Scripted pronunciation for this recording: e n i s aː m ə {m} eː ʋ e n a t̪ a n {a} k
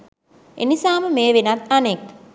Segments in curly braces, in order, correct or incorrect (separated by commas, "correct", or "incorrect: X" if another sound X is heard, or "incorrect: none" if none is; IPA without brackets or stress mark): correct, incorrect: e